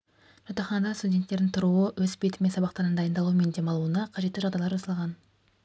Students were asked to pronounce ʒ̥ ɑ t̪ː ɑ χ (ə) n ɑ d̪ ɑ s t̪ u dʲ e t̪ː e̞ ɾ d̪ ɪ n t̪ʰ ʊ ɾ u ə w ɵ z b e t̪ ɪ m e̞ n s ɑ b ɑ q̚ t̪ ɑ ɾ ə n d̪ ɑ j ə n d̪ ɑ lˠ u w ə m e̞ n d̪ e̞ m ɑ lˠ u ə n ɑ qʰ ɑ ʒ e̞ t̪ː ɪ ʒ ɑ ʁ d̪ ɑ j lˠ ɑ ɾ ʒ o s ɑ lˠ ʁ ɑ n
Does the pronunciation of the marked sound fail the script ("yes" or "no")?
yes